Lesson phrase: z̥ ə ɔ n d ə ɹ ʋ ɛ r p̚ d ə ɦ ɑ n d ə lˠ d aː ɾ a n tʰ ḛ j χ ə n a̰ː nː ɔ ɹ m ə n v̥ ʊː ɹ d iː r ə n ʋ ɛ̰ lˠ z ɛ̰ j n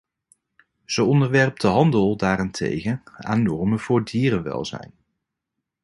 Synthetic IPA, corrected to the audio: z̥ ə ɔ n d ə ɹ ʋ ɛ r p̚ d ə ɦ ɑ n d ə lˠ d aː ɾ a n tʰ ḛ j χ ə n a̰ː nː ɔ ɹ m ə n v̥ ʊː ɹ d iː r ə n ʋ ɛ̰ lˠ z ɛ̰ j n